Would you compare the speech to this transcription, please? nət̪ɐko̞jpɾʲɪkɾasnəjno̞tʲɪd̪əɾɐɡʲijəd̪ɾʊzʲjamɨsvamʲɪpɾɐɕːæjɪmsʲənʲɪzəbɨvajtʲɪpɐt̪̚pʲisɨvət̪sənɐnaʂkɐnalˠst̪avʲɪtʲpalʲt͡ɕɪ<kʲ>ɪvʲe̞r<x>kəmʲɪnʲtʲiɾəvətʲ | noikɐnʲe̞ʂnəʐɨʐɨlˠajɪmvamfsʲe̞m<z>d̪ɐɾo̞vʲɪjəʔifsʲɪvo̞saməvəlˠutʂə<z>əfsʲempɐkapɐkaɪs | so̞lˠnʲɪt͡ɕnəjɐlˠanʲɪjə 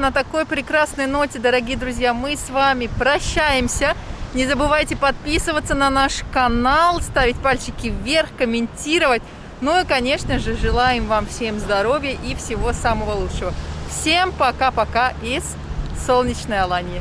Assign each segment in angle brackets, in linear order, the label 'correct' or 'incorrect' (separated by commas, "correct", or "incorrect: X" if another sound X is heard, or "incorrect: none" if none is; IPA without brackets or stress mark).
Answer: correct, correct, correct, incorrect: v